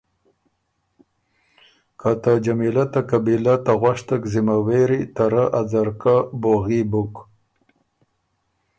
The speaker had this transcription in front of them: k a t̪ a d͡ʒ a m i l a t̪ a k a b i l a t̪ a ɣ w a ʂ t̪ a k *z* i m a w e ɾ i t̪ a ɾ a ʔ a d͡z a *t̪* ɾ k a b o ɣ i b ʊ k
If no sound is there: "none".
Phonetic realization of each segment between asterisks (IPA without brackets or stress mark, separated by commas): z, none